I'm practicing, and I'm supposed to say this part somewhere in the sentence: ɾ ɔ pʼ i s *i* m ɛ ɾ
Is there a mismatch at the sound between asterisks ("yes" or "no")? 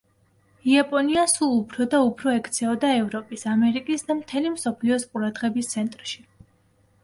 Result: yes